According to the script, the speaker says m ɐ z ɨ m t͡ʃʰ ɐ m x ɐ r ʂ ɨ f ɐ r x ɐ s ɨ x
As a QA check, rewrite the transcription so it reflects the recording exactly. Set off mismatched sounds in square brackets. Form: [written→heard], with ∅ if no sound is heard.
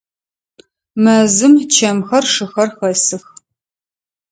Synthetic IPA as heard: m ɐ z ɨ m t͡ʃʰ ɐ m x ɐ r ʂ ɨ [f→x] ɐ r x ɐ s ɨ x